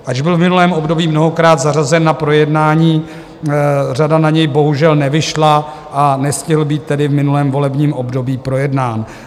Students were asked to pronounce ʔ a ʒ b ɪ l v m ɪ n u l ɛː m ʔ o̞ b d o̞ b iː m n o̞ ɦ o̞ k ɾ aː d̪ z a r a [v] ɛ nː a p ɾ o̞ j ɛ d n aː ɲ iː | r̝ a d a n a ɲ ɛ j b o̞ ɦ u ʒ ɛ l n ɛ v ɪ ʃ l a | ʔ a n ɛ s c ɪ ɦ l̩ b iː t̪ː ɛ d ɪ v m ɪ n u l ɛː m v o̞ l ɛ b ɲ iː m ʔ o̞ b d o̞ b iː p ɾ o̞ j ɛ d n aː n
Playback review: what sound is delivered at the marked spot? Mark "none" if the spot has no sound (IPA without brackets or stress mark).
z